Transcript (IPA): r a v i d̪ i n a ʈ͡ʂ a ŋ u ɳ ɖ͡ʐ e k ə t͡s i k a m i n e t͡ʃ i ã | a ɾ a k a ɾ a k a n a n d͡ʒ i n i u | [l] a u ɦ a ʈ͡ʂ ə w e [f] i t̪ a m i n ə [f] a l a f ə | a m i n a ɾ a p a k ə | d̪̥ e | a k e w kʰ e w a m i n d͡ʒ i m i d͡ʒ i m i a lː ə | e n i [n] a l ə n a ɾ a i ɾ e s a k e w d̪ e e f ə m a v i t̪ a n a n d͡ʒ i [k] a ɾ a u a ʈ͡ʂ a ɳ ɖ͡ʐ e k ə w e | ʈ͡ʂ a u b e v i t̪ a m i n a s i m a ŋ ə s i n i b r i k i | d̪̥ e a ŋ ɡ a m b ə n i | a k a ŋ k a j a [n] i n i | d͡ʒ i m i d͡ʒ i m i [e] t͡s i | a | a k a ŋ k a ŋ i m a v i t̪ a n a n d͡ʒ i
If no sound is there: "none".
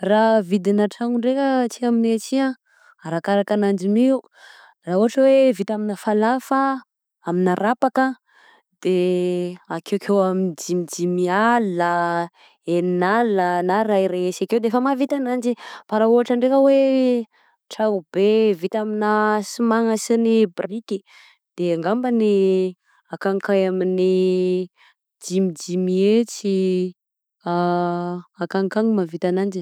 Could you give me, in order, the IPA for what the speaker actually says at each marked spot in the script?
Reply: r, v, f, n, p, m, e

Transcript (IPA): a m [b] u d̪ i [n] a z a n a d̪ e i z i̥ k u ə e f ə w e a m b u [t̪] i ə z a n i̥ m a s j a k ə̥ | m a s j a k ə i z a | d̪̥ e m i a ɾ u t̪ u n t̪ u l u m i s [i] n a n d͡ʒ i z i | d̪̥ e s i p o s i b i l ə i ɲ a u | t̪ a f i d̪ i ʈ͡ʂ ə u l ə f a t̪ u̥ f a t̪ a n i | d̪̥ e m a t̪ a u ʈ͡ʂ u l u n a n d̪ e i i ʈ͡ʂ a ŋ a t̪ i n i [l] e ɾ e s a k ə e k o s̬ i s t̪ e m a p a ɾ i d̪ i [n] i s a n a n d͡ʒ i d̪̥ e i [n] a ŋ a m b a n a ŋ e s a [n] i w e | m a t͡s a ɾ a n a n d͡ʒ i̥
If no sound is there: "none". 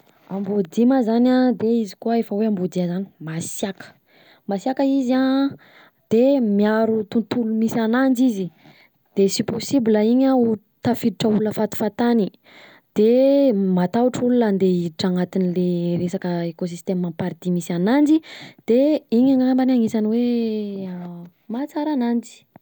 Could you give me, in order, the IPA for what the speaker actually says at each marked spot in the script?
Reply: b, m, d̪, a, l, m, ɲ, n

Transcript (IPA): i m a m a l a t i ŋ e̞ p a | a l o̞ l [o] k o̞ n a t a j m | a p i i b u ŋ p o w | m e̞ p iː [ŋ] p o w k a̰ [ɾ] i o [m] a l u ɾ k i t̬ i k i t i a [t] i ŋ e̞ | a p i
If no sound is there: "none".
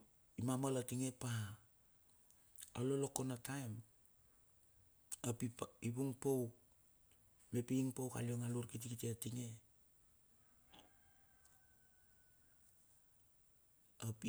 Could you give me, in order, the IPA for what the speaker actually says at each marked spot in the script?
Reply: o, ŋ, l, ŋ, t

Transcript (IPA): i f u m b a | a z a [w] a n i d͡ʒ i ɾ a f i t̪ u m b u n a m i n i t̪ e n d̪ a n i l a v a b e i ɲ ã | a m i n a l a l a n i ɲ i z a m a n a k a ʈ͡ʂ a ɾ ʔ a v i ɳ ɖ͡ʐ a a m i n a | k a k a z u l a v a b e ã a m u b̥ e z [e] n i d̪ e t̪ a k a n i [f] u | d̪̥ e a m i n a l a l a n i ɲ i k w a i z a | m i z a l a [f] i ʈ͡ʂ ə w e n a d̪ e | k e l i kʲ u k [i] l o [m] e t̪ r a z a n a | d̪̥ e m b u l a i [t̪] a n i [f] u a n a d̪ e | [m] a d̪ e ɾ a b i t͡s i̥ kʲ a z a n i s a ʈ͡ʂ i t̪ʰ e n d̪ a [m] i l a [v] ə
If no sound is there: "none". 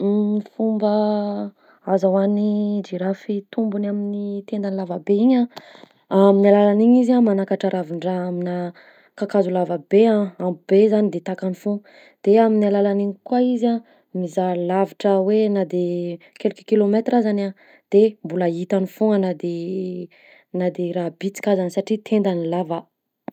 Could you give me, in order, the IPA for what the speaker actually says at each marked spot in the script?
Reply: w, a, f, v, i, m, t̪, f, n, n, v

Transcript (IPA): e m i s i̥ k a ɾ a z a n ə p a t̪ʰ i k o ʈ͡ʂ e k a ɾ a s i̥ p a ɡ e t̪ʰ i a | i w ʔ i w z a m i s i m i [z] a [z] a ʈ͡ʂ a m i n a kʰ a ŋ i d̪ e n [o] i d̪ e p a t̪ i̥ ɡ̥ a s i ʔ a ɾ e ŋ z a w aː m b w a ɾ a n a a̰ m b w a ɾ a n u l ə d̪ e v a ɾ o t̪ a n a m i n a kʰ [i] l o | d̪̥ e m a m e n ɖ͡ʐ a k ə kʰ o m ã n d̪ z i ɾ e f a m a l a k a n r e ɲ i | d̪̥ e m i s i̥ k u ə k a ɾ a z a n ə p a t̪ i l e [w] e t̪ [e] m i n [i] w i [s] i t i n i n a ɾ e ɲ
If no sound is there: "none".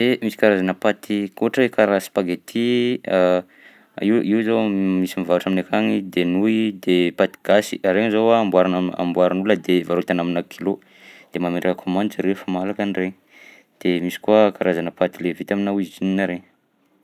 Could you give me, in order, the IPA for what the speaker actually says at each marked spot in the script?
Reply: v, v, u, i, v, a, a, z

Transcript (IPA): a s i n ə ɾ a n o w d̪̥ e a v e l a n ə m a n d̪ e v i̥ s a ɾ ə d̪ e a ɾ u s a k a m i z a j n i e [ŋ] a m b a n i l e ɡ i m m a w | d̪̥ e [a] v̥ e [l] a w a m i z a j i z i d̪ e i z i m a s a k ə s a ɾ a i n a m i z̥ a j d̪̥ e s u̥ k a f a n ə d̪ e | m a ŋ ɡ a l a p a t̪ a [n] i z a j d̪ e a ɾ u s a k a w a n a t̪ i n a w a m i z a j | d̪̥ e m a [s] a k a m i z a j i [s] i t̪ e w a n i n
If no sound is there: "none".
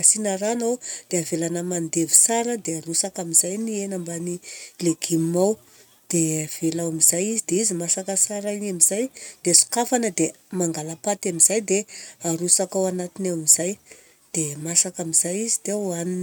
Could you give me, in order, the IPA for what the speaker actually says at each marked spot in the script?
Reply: n, a, l, m, s, z

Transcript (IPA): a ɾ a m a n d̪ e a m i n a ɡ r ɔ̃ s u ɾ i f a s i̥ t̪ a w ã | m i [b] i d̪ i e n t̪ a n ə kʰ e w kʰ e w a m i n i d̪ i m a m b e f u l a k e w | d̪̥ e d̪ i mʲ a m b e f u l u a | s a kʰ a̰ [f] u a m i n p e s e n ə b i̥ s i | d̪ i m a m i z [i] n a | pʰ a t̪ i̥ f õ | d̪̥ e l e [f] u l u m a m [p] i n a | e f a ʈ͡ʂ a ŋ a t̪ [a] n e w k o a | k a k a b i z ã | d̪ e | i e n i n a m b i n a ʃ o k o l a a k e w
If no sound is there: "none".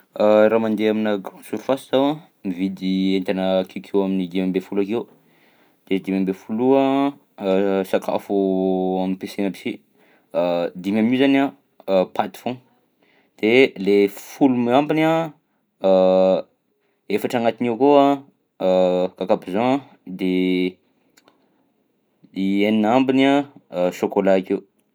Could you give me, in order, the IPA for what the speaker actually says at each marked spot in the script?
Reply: v, f, a, f, b, i

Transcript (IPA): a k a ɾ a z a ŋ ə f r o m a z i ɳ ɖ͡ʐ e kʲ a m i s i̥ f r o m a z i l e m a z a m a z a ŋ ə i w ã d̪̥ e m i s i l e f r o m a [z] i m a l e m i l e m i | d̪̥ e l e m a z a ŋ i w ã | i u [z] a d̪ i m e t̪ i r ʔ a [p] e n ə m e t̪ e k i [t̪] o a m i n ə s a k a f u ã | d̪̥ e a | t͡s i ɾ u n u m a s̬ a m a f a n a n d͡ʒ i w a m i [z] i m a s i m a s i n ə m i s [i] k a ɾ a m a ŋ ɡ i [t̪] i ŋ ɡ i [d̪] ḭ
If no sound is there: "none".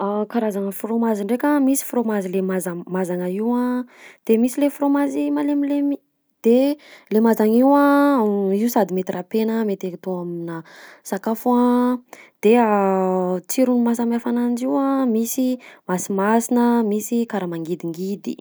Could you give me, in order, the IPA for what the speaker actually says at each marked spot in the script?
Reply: z, s, p, t̪, s, i, d̪, d̪

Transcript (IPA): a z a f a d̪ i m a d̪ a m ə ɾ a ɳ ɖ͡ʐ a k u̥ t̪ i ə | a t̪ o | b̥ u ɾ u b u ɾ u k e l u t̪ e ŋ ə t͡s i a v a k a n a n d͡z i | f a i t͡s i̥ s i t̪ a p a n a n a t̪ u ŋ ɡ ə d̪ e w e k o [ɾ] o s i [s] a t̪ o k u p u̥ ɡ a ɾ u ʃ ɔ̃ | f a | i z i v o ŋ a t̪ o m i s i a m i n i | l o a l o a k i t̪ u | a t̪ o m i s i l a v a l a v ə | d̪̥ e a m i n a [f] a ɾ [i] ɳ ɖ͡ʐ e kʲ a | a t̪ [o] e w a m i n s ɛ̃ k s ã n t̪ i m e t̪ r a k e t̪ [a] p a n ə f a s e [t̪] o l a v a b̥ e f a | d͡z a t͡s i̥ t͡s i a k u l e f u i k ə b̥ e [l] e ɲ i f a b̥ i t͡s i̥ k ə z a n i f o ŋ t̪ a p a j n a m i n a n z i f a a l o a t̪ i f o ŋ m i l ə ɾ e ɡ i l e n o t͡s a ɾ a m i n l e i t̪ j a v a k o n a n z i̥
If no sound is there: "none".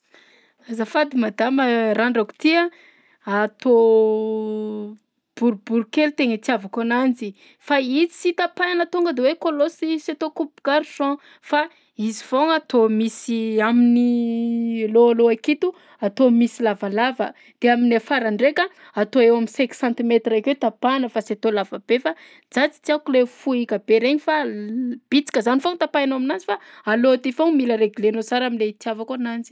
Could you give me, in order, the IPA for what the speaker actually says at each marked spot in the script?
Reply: l, s, f, a, o, a, t̪, ɾ

